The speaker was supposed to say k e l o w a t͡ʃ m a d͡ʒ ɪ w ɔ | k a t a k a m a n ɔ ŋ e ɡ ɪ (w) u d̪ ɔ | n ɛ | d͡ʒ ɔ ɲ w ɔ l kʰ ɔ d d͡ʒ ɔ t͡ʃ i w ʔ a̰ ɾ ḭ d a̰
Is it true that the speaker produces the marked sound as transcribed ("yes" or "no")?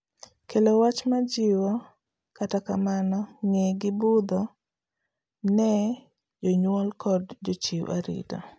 no